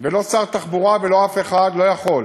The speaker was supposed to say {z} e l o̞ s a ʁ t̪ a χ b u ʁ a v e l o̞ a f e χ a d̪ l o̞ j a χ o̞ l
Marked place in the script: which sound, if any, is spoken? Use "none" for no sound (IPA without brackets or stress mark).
v